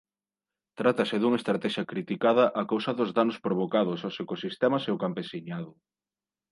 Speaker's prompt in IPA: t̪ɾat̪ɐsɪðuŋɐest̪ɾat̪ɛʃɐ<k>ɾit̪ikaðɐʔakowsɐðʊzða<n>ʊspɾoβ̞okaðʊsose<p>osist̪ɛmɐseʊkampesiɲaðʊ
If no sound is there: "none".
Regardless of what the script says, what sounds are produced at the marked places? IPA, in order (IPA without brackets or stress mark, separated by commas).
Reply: k, n, k